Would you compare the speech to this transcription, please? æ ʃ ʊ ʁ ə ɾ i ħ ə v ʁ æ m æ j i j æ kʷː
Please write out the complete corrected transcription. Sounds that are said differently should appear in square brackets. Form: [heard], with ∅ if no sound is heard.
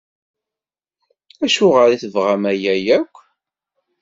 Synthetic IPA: æ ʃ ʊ ʁ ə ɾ i [θ] ə v ʁ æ m æ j [æ] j æ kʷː